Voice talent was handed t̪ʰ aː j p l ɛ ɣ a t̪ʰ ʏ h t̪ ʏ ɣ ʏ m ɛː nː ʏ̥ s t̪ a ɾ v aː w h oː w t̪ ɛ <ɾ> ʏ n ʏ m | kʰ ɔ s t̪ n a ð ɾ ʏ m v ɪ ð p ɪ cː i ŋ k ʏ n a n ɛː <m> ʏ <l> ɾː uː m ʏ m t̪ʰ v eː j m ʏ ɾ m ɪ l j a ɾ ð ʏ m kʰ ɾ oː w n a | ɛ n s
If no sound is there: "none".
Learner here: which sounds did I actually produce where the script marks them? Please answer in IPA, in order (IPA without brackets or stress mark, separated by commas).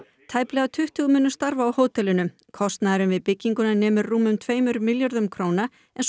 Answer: l, m, none